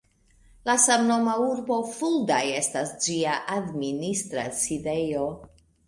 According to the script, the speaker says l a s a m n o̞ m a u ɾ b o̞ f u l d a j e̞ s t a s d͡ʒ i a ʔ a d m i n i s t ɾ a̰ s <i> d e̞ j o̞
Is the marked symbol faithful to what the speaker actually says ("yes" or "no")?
yes